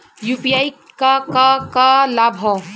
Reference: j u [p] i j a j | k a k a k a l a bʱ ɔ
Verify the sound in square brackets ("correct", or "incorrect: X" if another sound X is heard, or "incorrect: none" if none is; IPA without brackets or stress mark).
correct